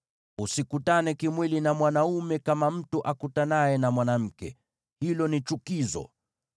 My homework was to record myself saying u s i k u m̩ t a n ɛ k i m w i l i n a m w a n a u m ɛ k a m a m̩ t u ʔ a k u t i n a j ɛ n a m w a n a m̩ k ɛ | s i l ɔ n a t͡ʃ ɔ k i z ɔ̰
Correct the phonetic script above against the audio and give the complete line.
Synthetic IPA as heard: u s i k u t a n ɛ k i m w i l i n a m w a n a u m ɛ k a m a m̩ t u ʔ a k u t a n a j ɛ n a m w a n a m̩ k ɛ | h i l ɔ n i t͡ʃ u k i z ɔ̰